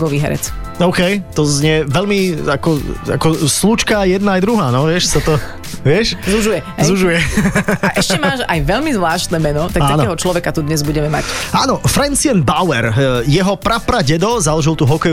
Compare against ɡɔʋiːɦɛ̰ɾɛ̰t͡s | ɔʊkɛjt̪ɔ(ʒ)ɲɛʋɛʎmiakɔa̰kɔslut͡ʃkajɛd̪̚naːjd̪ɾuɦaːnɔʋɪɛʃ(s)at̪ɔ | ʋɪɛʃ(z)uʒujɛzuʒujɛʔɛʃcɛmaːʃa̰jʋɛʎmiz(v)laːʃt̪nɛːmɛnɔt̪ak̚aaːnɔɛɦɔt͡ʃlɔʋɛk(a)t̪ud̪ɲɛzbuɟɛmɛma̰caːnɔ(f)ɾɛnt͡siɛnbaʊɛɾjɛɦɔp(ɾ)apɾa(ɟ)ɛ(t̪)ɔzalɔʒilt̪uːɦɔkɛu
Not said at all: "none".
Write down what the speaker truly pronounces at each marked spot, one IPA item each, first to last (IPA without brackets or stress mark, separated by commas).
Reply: z, s, z, ʋ, a, f, ɾ, ɟ, d̪